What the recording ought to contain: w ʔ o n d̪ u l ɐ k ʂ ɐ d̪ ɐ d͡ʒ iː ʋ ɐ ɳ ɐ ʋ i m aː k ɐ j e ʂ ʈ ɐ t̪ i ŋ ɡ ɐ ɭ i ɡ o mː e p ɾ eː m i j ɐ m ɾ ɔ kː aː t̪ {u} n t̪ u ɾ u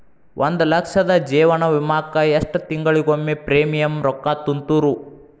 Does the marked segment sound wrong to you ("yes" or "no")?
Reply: no